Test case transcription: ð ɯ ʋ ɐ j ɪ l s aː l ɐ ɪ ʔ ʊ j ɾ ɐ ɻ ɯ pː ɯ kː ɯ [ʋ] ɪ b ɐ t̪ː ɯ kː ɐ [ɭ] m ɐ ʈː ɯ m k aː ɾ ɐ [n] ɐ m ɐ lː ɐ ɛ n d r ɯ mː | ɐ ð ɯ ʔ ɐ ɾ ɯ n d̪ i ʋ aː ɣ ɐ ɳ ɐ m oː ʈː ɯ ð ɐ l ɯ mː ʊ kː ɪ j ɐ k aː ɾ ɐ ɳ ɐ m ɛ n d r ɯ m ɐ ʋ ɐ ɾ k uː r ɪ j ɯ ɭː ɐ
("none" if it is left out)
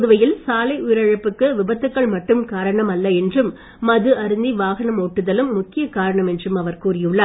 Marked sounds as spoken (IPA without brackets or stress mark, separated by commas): ʋ, ɭ, ɳ